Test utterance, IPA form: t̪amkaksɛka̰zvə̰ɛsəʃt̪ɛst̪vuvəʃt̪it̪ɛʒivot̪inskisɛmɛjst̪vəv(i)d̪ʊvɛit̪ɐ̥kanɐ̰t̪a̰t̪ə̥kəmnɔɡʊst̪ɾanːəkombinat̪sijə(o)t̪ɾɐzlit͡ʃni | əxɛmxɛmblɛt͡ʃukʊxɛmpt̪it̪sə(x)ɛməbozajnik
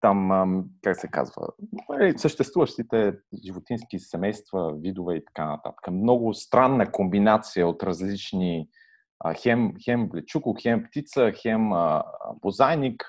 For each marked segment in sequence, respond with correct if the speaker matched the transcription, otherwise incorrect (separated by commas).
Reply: correct, correct, correct